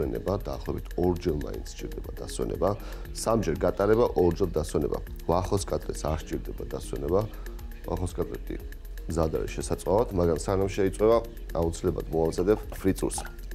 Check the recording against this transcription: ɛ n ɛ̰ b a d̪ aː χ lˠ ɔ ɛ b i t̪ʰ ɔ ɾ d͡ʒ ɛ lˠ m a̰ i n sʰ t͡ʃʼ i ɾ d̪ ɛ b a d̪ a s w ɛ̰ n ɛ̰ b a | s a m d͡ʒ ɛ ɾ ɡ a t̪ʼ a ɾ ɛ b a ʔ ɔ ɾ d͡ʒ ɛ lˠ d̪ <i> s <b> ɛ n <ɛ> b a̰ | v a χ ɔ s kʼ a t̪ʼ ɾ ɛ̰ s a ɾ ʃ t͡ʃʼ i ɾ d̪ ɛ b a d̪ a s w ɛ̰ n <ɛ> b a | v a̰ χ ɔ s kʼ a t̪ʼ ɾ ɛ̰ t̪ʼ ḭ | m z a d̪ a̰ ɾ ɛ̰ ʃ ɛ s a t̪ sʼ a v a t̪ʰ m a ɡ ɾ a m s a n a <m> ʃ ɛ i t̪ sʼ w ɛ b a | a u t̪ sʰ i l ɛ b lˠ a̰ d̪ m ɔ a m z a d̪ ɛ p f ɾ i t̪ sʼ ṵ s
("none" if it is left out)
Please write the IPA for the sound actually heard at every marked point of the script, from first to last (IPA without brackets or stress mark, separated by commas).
a, w, ɛ, ɛ, m